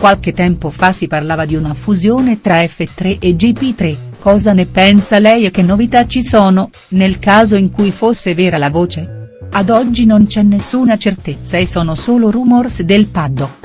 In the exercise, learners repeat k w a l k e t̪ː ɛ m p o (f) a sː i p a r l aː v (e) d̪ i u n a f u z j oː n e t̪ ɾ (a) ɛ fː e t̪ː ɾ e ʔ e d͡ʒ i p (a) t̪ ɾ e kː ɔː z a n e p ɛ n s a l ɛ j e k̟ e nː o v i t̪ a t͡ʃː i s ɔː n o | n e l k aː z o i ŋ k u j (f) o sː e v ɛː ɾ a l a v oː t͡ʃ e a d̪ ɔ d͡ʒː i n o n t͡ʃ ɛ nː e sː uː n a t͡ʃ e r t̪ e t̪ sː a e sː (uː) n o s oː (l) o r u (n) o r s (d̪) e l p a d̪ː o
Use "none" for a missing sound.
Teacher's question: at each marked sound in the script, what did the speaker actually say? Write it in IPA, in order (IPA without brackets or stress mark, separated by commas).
f, a, a, i, f, ɔː, l, m, d̪